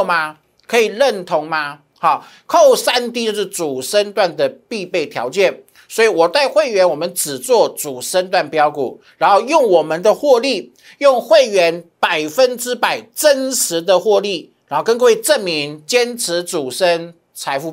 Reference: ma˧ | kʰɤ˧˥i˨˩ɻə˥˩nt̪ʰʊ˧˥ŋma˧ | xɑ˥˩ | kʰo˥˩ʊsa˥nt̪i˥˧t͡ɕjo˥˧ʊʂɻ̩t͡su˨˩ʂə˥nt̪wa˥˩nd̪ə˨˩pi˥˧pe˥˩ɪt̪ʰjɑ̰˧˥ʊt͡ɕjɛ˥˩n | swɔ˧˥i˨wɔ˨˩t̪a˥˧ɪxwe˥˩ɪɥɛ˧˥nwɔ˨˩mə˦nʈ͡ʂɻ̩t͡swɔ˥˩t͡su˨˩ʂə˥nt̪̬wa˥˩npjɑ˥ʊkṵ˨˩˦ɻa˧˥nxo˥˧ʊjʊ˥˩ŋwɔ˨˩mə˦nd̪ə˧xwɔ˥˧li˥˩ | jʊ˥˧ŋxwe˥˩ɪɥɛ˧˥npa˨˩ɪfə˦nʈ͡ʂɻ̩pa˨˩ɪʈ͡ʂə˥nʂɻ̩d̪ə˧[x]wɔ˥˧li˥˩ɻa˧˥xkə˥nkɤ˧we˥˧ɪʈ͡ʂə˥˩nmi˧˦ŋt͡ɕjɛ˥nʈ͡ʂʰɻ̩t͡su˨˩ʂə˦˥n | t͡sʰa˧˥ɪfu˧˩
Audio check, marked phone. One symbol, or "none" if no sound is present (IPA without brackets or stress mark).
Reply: x